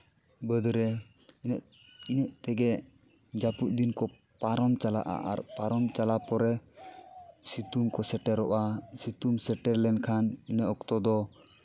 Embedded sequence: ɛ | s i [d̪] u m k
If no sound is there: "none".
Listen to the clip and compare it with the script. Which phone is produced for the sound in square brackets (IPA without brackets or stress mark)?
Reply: t̪